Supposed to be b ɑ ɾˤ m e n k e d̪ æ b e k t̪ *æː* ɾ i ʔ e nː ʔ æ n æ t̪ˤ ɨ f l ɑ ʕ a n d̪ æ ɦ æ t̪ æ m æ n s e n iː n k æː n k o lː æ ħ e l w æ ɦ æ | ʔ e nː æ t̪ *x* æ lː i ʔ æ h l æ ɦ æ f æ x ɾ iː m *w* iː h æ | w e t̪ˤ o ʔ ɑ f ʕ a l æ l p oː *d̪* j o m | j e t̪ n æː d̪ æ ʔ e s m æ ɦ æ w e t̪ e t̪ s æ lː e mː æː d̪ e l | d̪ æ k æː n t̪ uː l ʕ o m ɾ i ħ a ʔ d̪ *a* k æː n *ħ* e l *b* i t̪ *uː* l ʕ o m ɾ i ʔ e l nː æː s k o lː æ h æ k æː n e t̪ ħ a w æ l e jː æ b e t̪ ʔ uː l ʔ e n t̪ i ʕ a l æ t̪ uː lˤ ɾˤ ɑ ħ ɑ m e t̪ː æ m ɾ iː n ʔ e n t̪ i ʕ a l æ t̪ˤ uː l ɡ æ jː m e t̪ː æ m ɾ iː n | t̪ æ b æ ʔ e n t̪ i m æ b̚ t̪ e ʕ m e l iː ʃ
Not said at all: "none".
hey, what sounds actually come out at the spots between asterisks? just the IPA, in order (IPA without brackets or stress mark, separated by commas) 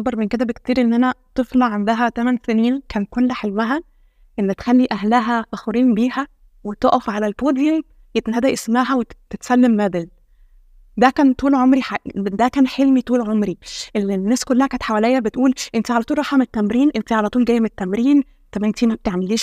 iː, x, b, d̪, æ, ħ, m, uː